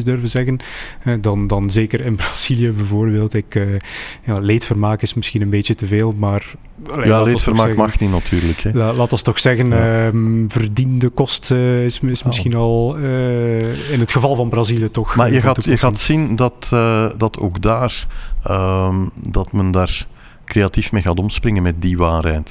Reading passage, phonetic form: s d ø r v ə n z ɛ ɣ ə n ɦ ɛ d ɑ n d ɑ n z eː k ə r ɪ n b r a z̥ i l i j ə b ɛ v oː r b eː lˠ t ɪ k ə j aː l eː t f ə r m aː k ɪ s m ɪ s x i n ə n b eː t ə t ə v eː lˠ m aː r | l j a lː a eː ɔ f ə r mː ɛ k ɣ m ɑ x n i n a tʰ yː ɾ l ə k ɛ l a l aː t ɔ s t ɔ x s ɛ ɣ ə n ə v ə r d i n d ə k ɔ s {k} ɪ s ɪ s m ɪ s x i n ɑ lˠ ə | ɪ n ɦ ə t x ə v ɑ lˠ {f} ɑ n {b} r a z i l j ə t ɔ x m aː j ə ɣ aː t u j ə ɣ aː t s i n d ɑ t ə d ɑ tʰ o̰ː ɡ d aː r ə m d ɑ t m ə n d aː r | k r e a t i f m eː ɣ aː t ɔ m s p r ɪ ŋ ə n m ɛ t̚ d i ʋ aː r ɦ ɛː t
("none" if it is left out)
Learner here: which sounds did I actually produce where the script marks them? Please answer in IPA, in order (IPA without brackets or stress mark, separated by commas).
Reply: t, v, b